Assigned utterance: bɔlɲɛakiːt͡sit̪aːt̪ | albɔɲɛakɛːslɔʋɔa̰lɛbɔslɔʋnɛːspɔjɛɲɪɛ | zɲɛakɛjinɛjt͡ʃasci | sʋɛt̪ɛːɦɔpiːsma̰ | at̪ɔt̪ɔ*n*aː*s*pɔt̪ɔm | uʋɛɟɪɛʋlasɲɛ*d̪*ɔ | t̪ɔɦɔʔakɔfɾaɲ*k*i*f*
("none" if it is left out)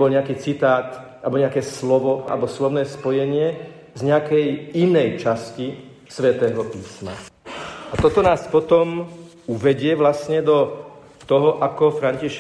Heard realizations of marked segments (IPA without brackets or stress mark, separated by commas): n, s, d̪, c, ʃ